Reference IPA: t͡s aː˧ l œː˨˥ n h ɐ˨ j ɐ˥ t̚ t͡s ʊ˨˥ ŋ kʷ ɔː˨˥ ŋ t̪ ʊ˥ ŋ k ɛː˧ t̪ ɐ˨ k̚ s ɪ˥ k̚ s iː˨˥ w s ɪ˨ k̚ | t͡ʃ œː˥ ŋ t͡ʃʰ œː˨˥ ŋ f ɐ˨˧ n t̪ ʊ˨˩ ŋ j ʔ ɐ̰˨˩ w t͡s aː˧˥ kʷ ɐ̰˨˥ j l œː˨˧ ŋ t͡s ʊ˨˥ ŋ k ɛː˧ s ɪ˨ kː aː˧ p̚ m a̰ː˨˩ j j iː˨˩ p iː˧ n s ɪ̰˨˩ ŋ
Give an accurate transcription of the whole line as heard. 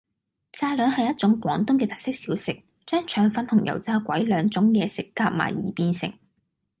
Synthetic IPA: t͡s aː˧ l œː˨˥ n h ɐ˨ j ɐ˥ t̚ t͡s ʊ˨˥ ŋ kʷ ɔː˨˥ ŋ t̪ ʊ˥ ŋ k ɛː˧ t̪ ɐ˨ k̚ s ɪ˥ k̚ s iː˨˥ w s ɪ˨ k̚ | t͡ʃ œː˥ ŋ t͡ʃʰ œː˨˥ ŋ f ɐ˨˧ n t̪ʰ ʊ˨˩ ŋ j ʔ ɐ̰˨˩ w t͡s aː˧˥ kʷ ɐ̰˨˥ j l œː˨˧ ŋ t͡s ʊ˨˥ ŋ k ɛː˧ s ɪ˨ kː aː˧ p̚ m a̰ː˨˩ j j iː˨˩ p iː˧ n s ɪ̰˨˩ ŋ